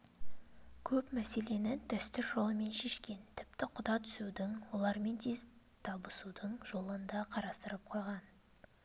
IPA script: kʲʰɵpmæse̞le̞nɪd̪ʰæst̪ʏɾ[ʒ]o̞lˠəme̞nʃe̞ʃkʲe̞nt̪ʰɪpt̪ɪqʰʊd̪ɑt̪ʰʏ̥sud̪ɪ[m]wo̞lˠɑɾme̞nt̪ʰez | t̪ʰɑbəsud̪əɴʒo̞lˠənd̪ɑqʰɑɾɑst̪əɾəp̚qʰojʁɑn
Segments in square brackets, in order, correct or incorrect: correct, incorrect: ŋ

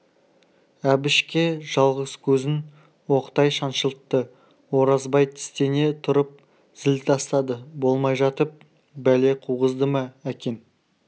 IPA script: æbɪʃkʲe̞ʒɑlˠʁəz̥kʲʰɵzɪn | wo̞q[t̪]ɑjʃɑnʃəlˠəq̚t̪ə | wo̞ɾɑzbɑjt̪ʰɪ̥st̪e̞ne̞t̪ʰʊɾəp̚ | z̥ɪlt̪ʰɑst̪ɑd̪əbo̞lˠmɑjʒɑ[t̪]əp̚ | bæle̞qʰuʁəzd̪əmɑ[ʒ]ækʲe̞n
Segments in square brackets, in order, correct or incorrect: correct, correct, incorrect: none

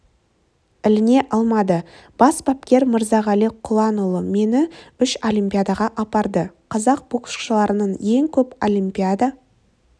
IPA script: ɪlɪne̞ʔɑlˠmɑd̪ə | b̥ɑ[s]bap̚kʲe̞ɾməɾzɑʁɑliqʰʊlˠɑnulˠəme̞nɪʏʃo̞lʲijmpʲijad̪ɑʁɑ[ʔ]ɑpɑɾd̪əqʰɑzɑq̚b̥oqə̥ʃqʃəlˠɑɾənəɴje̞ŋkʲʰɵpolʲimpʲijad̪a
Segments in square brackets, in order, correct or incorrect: correct, correct

